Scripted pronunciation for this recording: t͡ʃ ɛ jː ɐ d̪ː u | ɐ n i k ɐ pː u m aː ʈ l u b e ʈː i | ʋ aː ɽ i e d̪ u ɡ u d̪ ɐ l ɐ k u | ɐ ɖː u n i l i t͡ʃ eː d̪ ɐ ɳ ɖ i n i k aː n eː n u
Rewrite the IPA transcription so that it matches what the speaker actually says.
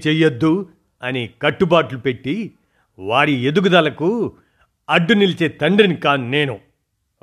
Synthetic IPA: t͡ʃ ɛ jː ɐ d̪ː u | ɐ n i k ɐ ʈː u b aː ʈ l u p e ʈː i | ʋ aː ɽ i e d̪ u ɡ u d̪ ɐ l ɐ k u | ɐ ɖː u n i l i t͡ʃ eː t̪ ɐ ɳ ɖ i n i k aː n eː n u